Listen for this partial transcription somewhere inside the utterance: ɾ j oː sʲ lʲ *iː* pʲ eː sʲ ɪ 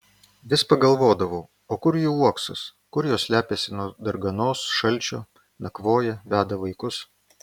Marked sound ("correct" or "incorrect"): incorrect